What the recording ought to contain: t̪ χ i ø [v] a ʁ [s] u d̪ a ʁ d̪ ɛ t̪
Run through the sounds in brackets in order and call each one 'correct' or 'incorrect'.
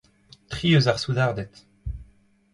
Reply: incorrect: z, correct

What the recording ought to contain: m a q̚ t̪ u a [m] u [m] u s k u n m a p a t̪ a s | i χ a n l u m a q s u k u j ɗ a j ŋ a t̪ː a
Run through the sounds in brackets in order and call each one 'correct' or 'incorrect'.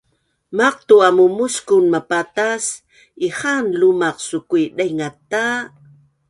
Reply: correct, correct

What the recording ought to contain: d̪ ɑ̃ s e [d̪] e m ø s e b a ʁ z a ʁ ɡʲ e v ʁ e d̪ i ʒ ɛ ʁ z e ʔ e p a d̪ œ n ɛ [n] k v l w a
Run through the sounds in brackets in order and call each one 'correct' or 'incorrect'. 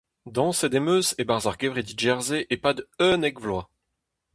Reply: correct, incorrect: none

